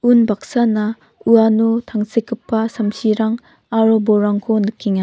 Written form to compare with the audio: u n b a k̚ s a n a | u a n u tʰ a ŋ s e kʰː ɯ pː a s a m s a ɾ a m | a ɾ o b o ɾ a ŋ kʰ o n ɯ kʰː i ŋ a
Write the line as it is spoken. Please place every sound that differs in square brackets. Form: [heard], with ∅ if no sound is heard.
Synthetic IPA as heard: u n b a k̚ s a n a | u a n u tʰ a ŋ s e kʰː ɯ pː a s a m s [i] ɾ a [ŋ] | a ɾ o b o ɾ a ŋ kʰ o n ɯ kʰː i ŋ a